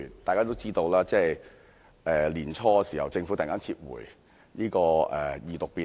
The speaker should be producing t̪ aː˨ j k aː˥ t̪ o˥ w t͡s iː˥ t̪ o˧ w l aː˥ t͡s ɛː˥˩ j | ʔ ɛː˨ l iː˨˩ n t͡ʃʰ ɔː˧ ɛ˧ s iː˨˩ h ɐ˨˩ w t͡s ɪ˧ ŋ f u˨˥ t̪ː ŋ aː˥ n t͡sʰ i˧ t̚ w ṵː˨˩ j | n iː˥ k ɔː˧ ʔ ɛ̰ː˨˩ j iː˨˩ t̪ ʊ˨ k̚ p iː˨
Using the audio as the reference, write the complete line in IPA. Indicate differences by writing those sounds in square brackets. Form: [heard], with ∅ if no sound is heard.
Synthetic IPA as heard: t̪ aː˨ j k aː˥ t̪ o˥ w t͡s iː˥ t̪ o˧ w l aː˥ t͡s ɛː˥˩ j | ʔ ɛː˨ l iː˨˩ n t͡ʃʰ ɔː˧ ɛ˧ s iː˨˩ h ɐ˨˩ w t͡s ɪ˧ ŋ f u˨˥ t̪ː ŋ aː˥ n t͡sʰ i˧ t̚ w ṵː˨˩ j | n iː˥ k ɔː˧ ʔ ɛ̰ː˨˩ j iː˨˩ t̪ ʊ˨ k̚ p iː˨